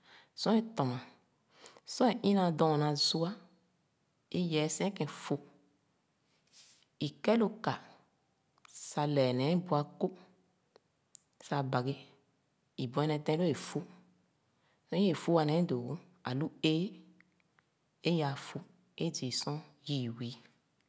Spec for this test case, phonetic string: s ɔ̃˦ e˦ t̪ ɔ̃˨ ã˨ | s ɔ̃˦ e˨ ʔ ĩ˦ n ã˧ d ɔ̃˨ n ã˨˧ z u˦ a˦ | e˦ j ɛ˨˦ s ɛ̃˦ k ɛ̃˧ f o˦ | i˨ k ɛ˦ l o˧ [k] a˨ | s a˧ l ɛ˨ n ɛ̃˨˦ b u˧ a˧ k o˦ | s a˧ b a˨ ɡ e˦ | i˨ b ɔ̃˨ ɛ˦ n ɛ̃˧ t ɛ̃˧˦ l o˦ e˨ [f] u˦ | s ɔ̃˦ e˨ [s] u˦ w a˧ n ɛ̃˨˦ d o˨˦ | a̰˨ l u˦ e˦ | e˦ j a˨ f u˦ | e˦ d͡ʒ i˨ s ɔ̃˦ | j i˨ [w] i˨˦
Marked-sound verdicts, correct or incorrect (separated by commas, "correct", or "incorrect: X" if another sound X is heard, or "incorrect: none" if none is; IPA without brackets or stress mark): correct, correct, incorrect: f, correct